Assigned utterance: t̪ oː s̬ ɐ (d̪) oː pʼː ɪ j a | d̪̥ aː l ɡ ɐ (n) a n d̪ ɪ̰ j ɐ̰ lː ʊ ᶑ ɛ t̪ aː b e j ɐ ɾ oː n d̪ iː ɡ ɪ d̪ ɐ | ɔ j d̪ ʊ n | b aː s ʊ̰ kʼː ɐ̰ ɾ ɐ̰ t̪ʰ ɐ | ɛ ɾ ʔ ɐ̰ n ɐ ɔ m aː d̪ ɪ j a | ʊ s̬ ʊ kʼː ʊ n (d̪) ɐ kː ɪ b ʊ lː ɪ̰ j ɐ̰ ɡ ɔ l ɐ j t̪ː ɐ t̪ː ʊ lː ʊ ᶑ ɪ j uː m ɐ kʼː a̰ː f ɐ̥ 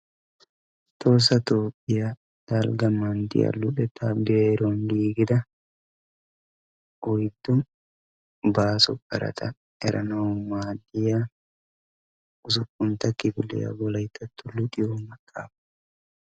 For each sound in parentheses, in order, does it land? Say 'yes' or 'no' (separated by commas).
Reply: no, no, no